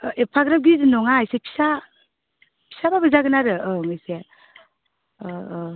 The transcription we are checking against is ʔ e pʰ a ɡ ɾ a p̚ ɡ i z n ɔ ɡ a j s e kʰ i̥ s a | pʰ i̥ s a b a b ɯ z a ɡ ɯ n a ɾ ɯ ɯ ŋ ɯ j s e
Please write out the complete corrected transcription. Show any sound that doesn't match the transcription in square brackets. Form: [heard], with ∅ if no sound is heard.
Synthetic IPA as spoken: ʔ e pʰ a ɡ ɾ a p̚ ɡ i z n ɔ [ŋ] a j s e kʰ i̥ s a | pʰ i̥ s a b a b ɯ z a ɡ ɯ n a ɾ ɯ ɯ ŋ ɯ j s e